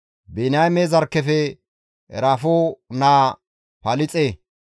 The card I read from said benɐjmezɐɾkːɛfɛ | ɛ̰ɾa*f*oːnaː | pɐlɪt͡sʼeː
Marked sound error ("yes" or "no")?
no